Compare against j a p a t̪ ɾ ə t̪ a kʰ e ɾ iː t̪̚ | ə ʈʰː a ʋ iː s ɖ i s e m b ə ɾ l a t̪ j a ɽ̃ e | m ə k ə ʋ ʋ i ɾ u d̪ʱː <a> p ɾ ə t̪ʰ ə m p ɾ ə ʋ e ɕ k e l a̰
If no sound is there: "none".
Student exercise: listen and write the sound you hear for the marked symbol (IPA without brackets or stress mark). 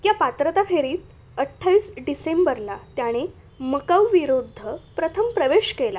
ə